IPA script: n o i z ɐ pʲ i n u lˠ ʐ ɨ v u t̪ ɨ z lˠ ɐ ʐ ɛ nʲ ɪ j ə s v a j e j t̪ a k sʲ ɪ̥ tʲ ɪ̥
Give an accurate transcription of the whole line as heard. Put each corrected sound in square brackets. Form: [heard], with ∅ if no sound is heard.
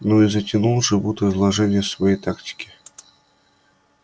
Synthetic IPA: n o i z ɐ [tʲ] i n u lˠ ʐ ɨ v u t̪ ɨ z lˠ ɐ ʐ ɛ nʲ ɪ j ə s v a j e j t̪ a k [tʲ] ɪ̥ [kʲ] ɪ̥

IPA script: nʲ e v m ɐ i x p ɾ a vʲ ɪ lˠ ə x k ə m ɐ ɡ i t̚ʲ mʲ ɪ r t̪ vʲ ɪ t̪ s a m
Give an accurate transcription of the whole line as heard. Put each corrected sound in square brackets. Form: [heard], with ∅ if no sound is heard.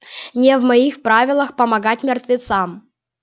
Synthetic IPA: nʲ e v m ɐ i x p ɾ a vʲ ɪ lˠ ə x [p] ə m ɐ ɡ [a] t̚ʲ mʲ ɪ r t̪ vʲ ɪ t̪ s a m

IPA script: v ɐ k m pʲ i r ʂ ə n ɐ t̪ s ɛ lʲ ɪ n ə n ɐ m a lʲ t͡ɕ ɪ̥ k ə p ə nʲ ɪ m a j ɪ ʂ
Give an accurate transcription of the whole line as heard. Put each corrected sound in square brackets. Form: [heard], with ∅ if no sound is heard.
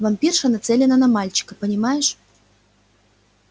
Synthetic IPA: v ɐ [∅] m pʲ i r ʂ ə n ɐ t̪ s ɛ lʲ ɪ n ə n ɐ m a lʲ t͡ɕ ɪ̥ k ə p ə nʲ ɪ m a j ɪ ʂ

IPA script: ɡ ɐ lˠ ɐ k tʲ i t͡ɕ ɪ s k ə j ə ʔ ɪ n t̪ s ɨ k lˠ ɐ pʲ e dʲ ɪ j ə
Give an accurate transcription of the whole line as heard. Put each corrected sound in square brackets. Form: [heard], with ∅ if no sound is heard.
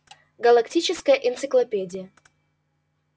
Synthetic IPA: ɡ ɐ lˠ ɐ k tʲ i t͡ɕ ɪ s k ə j ə ʔ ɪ n t̪ s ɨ k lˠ ɐ pʲ e dʲ ɪ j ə

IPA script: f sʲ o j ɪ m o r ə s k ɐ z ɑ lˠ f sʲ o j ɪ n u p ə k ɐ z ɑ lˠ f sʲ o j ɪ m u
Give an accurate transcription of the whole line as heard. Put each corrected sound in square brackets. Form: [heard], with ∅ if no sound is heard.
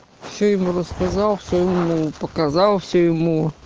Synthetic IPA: f sʲ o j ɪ m [u] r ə s k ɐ z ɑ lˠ f sʲ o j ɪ [m] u p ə k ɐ z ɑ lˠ f sʲ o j ɪ m u

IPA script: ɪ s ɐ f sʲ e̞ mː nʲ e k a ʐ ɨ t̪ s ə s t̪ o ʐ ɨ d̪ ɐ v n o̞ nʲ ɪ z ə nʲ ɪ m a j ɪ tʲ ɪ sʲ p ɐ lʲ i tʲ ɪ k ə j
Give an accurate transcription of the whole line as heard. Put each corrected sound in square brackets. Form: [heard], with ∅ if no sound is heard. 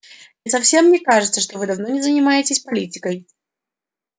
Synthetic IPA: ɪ s ɐ f sʲ e̞ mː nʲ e k a ʐ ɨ t̪ s ə [ʂ] t̪ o [v] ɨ d̪ ɐ v n o̞ nʲ ɪ z ə nʲ ɪ m a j ɪ tʲ ɪ sʲ p ɐ lʲ i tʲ ɪ k ə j

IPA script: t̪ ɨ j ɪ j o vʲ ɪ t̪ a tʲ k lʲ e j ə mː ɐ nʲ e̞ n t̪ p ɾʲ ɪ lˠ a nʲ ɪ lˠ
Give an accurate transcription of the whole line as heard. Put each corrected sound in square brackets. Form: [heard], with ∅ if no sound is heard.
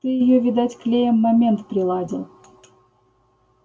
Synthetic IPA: t̪ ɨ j ɪ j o vʲ ɪ [d̪] a tʲ k lʲ e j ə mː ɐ [mʲ] e̞ n t̪ p ɾʲ ɪ lˠ a [dʲ] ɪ lˠ

